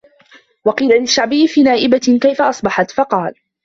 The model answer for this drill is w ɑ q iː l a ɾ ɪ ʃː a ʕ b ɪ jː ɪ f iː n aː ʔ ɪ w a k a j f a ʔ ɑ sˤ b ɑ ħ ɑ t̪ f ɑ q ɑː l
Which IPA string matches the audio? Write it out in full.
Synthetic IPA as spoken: w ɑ q iː l a l ɪ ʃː a ʕ b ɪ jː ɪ f iː n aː ʔ ɪ b a k a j f a ʔ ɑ sˤ b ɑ ħ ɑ t̪ f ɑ q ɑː l